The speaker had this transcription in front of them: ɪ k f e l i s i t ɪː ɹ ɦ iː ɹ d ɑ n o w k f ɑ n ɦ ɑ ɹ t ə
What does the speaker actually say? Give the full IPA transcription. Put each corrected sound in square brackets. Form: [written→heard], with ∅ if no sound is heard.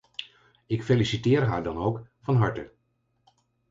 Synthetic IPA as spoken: ɪ k f e l i s i t ɪː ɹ ɦ [iː→aː] ɹ d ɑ n o w k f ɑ n ɦ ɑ ɹ t ə